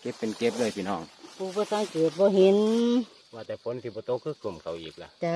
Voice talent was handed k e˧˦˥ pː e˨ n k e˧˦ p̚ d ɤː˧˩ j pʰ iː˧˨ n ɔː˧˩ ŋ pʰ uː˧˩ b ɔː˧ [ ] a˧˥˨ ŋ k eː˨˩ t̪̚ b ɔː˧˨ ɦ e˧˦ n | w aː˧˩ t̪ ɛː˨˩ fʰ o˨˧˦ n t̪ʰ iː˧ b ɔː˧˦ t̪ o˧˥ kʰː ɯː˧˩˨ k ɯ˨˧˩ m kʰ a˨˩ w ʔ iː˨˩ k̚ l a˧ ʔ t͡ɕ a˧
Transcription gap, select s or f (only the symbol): s